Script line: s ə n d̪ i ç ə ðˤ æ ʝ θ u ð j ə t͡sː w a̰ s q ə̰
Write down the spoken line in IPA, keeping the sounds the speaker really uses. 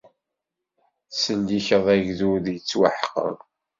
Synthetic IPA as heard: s ə n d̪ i ç ə ðˤ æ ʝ ð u ð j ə t͡sː w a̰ ħ q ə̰